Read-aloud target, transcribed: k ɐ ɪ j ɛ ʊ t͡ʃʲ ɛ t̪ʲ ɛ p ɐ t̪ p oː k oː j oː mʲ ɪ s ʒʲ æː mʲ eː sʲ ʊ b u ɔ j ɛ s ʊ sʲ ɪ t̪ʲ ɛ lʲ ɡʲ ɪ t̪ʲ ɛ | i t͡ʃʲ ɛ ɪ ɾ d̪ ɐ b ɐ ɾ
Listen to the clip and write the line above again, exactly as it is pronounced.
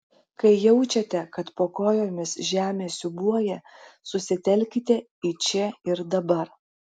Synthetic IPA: k ɐ ɪ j ɛ ʊ t͡ʃʲ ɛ t̪ʲ ɛ k ɐ t̪ p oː k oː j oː mʲ ɪ s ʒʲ æː mʲ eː sʲ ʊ b u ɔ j ɛ s ʊ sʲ ɪ t̪ʲ ɛ lʲ kʲ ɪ t̪ʲ ɛ | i t͡ʃʲ ɛ ɪ ɾ d̪ ɐ b ɐ ɾ